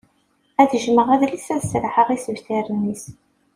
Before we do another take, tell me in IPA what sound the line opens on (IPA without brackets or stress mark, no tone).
æ